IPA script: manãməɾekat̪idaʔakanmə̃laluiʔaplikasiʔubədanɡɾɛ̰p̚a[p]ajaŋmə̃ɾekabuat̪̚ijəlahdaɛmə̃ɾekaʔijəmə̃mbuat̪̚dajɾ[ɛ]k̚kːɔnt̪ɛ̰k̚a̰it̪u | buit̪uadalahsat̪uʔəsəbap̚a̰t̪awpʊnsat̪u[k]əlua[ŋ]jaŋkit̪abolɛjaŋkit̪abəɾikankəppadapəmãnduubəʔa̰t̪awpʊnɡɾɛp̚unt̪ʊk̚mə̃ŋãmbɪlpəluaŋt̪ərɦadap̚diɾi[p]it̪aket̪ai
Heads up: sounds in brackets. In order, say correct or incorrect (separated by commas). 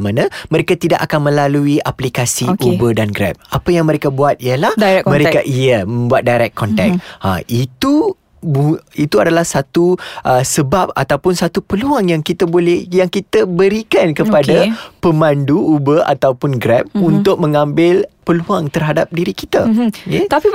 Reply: correct, correct, incorrect, correct, incorrect